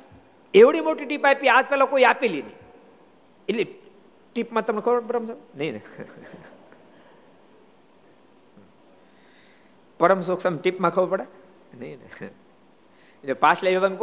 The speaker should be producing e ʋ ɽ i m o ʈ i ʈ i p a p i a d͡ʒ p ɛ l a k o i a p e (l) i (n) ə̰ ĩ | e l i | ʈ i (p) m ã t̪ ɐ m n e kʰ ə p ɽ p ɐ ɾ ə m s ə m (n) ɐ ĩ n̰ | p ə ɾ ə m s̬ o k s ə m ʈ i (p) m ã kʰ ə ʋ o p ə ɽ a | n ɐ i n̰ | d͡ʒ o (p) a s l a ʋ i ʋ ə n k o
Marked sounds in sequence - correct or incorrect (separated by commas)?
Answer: correct, correct, correct, correct, correct, correct